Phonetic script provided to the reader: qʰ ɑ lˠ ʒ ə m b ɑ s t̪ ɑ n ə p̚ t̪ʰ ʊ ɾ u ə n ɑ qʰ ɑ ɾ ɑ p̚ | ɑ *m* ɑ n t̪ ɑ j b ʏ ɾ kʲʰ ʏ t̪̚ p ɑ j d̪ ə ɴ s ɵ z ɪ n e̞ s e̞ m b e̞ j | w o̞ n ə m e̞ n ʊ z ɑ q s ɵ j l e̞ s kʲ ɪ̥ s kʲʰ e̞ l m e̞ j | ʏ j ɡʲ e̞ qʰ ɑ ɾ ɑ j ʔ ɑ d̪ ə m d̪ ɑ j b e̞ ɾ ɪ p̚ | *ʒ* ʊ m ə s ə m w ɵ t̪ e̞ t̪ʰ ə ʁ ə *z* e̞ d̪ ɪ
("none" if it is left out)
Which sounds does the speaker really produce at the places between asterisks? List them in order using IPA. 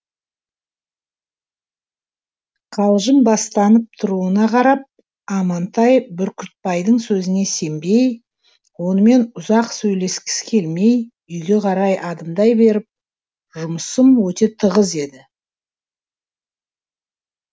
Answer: m, ʒ, z

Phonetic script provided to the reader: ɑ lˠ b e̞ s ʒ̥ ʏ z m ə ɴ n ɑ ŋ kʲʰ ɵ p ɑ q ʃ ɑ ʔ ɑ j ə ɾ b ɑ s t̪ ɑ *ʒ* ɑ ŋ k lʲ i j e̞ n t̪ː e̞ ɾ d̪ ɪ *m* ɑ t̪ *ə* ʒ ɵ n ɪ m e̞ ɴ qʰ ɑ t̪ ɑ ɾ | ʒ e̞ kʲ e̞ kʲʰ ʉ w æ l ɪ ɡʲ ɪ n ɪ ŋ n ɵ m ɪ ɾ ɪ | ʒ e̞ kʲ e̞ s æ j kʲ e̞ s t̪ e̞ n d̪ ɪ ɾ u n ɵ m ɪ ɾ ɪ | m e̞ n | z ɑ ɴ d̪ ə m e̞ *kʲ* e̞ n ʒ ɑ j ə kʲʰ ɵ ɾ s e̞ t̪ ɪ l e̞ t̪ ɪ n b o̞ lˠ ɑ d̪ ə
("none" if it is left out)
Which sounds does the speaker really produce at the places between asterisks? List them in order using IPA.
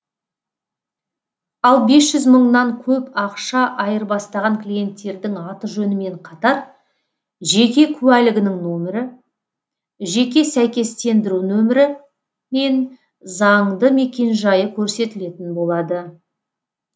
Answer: ʁ, ŋ, ə, kʲ

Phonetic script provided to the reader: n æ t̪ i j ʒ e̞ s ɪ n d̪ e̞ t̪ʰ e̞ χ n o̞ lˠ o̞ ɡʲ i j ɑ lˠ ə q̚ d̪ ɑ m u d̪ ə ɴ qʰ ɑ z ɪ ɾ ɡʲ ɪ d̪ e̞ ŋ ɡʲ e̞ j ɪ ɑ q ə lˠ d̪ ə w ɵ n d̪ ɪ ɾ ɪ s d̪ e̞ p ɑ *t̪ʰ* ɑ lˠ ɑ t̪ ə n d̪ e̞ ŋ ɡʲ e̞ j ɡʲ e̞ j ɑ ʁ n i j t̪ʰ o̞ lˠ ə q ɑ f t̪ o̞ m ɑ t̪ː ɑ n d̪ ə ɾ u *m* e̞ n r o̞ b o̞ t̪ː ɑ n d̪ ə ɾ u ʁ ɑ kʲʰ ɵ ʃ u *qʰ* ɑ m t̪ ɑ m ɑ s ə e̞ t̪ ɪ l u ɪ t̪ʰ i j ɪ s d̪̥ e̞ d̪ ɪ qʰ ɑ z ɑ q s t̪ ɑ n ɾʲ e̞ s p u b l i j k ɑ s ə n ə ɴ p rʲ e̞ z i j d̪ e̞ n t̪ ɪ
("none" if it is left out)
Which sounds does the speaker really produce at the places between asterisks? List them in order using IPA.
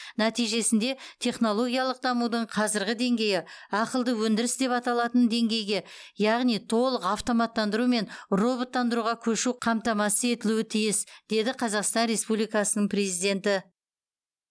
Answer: t̪, m, qʰ

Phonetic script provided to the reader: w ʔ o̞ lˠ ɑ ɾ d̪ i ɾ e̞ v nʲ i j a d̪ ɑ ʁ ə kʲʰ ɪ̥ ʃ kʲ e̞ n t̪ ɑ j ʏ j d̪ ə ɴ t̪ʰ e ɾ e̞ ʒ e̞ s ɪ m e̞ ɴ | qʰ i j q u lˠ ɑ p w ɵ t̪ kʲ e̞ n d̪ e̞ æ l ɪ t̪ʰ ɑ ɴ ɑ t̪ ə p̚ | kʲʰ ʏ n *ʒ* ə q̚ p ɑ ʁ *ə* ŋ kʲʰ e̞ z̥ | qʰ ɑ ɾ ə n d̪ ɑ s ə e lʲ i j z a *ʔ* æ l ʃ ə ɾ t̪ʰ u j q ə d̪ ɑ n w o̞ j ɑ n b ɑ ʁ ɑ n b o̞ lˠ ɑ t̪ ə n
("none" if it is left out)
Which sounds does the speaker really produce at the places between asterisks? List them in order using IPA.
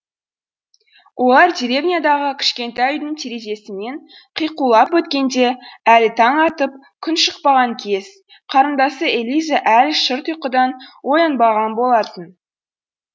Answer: ʃ, ɑ, ʔ

